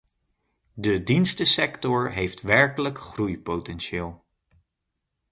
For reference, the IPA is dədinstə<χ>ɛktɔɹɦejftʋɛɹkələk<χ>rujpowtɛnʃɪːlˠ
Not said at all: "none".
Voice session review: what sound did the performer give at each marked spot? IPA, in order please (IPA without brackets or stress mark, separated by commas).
s, χ